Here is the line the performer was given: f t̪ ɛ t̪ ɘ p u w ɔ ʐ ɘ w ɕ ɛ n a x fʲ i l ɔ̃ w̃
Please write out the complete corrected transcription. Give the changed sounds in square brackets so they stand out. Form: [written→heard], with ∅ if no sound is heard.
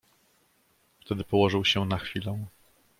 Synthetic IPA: f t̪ ɛ [t̪→d̪] ɘ p [u→ɔ] w ɔ ʐ ɘ w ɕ ɛ n a x fʲ i l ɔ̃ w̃

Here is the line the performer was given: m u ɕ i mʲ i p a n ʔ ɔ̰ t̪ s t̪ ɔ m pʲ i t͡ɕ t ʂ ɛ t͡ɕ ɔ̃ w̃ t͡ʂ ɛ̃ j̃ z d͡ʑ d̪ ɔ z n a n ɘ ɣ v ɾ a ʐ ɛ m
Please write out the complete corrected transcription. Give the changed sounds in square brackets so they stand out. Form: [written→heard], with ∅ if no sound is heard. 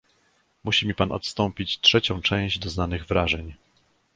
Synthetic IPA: m u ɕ i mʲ i p a n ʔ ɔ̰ t̪ s t̪ ɔ m pʲ i t͡ɕ t ʂ ɛ t͡ɕ ɔ̃ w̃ t͡ʂ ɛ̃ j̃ [z→ʑ] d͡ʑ d̪ ɔ z n a n ɘ ɣ v ɾ a ʐ ɛ [m→ɲ]

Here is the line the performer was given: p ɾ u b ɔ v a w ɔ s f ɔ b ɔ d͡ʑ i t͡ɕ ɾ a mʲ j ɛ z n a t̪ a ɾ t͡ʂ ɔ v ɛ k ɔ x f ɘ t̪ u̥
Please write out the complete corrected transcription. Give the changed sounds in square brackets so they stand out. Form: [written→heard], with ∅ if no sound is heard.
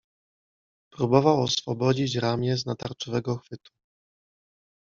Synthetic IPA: p ɾ u b ɔ v a w ɔ s f ɔ b ɔ d͡ʑ i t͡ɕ ɾ a mʲ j ɛ z n a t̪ a ɾ t͡ʂ ɔ v ɛ [k→ɡ] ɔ x f ɘ t̪ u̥

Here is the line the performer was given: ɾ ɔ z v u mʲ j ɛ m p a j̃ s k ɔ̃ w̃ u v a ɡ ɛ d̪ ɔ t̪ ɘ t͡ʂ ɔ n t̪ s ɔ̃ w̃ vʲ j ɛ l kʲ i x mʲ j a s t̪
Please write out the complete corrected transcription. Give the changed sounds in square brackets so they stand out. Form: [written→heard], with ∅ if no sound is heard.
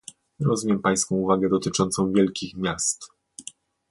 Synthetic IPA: ɾ ɔ z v u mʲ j ɛ m p a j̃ s k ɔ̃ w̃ u v a ɡ ɛ d̪ ɔ t̪ ɘ t͡ʂ ɔ n t̪ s ɔ̃ w̃ vʲ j ɛ l kʲ i x mʲ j a s t̪

